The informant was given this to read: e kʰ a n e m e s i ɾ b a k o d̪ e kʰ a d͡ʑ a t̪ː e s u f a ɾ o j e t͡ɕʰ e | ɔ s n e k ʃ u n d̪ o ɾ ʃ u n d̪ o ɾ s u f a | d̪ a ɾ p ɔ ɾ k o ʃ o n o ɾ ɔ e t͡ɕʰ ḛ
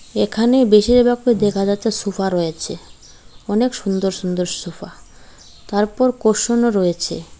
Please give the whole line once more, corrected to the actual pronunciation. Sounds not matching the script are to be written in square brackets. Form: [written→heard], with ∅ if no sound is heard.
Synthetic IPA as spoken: e kʰ a n e [m→b] e [s→ʃ] i ɾ b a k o d̪ e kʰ a d͡ʑ a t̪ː e s u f a ɾ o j e t͡ɕʰ e | ɔ [s→∅] n e k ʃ u n d̪ o ɾ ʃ u n d̪ o ɾ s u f a | [d̪→t̪] a ɾ p ɔ ɾ k o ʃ o n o ɾ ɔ e t͡ɕʰ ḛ